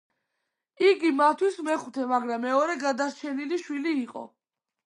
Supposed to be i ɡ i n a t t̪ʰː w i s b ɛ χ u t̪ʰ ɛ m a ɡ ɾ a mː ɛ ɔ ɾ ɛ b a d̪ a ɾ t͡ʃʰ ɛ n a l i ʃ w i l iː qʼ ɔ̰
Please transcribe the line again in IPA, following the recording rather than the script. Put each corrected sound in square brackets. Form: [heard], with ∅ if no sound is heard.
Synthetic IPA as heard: i ɡ i [m] a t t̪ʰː w i s [m] ɛ χ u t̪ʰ ɛ m a ɡ ɾ a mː ɛ ɔ ɾ ɛ [ɡ] a d̪ a ɾ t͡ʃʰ ɛ n [i] l i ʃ w i l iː qʼ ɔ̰